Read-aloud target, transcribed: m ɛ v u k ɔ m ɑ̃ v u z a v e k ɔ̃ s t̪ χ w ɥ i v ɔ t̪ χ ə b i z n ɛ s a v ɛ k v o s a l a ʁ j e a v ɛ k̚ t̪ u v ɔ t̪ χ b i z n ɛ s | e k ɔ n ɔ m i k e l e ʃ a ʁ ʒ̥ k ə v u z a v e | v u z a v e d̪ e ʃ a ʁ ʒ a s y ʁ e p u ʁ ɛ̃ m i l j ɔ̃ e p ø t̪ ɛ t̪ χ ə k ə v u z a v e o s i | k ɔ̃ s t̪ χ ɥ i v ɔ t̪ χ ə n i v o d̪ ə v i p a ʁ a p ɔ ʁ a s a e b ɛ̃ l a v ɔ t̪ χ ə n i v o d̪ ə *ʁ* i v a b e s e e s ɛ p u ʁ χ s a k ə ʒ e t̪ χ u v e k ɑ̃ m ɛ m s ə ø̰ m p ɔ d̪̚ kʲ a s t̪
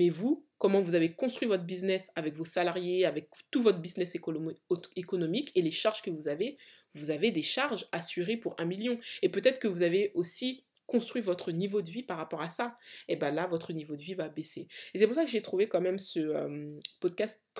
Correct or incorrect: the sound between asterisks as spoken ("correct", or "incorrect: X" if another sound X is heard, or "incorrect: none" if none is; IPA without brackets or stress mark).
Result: incorrect: v